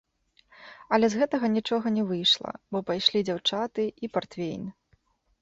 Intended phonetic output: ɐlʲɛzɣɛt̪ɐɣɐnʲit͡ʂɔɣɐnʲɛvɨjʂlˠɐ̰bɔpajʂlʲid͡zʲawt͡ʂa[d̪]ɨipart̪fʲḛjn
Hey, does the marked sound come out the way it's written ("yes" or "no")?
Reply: no